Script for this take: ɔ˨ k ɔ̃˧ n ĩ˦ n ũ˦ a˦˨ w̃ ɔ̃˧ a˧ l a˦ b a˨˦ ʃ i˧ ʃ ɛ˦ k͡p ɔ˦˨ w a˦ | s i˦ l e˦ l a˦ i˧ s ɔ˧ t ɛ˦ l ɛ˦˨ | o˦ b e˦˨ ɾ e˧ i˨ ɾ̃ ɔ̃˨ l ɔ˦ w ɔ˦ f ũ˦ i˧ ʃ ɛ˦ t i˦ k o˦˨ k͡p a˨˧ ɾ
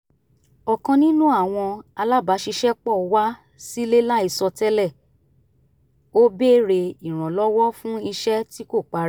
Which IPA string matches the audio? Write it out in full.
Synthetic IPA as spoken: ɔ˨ k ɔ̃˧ n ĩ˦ n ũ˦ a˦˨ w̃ ɔ̃˧ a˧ l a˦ b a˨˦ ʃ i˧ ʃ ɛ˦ k͡p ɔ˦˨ w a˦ | s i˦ l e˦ l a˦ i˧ s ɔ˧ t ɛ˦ l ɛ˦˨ | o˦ b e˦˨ ɾ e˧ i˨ ɾ̃ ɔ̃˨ l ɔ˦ w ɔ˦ f ũ˦ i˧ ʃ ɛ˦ t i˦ k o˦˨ k͡p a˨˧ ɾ

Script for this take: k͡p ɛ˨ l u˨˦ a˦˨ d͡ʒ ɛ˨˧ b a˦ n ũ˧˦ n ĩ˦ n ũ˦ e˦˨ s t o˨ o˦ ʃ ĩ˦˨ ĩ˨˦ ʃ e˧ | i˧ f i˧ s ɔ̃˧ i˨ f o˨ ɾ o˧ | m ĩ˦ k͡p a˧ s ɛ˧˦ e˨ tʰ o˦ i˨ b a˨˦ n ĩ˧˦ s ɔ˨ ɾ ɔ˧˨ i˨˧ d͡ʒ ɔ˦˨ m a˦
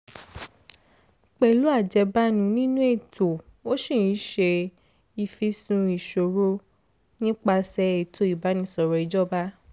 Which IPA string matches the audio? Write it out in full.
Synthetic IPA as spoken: k͡p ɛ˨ l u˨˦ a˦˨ d͡ʒ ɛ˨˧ b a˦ n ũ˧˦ n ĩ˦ n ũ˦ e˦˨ t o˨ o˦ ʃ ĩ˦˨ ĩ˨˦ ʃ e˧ | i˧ f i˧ s ũ˧ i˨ ʃ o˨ ɾ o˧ | n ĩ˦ k͡p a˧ s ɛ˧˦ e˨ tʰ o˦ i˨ b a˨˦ n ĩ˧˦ s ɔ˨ ɾ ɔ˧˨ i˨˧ d͡ʒ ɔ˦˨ b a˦

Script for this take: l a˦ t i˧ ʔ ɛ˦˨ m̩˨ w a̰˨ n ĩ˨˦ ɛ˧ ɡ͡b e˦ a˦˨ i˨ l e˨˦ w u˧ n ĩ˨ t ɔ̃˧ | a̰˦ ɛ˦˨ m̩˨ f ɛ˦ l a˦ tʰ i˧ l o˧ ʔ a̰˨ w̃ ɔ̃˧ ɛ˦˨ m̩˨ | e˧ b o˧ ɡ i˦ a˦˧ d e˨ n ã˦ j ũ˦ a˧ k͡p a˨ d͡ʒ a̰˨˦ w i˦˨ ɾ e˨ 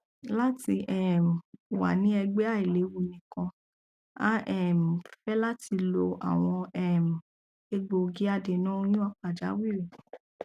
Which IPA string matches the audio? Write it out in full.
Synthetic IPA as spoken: l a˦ t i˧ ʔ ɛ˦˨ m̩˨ w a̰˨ n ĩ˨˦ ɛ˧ ɡ͡b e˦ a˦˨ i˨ l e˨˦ w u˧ n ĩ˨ k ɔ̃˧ | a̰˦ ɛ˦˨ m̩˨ f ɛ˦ l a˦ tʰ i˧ l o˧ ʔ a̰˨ w̃ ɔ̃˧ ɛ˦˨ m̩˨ | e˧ ɡ͡b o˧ ɡ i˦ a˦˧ d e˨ n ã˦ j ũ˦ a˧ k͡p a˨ d͡ʒ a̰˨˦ w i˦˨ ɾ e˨

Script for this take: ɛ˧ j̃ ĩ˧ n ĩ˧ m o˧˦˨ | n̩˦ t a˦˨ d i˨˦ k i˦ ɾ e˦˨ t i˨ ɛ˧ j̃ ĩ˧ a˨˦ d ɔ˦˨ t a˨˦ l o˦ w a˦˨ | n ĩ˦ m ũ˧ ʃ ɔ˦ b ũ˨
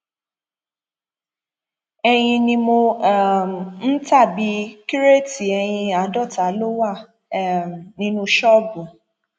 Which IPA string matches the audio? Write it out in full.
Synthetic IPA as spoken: ɛ˧ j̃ ĩ˧ n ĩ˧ m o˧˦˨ | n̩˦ t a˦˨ b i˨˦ k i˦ ɾ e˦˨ t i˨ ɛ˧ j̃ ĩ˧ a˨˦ d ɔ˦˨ t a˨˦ l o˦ w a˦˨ | n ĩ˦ n ũ˧ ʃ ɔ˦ b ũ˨

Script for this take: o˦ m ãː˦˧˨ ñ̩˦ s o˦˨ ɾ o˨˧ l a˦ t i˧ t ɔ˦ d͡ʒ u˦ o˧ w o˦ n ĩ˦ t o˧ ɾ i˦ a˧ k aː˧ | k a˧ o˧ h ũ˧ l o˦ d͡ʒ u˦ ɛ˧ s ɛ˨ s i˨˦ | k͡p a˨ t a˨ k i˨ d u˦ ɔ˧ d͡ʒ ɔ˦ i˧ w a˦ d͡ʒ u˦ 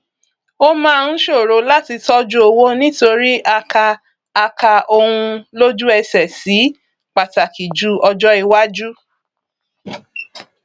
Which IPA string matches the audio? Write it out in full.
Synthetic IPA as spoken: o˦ m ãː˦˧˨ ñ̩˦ ʃ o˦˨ ɾ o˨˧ l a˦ t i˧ t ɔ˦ d͡ʒ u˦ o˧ w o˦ n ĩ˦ t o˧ ɾ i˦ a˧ k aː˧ | k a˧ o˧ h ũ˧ l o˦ d͡ʒ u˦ ɛ˧ s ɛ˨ s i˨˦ | k͡p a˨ t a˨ k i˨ d͡ʒ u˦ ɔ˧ d͡ʒ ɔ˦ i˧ w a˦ d͡ʒ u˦

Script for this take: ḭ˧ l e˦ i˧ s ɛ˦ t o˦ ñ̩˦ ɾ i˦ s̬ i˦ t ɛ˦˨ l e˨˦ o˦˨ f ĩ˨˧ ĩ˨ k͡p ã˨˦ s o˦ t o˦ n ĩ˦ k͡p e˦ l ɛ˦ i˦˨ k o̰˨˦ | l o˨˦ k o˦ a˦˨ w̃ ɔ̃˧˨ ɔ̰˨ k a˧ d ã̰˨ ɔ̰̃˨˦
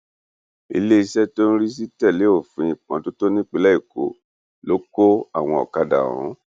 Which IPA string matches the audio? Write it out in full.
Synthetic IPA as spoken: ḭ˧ l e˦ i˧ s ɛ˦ t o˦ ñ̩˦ ɾ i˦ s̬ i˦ t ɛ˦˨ l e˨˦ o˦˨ f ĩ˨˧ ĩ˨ k͡p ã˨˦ t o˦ t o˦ n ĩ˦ k͡p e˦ l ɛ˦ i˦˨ k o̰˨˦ | l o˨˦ k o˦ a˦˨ w̃ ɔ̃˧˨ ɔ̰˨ k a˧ d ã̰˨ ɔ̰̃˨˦

